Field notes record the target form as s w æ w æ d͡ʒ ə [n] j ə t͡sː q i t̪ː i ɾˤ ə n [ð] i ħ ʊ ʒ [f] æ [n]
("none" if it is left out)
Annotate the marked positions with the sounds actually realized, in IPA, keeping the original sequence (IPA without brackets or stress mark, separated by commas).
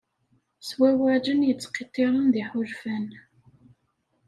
n, ð, f, n